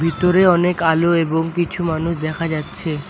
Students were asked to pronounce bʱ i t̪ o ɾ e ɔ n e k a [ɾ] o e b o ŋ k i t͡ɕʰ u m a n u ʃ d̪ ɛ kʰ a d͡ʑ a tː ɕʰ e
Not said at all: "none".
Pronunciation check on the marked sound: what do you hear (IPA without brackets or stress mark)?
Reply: l